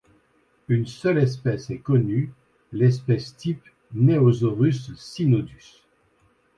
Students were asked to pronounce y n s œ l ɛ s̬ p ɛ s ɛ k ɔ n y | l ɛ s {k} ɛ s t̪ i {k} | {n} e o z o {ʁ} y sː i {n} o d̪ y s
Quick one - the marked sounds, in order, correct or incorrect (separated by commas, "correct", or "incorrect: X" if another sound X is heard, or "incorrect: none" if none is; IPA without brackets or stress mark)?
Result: incorrect: p, incorrect: p, correct, correct, correct